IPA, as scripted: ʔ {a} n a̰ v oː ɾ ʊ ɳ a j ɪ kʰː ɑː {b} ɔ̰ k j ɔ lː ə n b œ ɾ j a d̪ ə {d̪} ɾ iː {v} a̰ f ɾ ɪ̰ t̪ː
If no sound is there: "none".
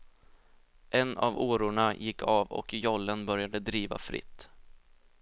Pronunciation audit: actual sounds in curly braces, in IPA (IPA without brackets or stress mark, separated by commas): ɛ, v, d̪, v